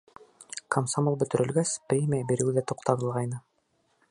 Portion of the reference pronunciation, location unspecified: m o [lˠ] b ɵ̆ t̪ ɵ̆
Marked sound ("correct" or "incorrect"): correct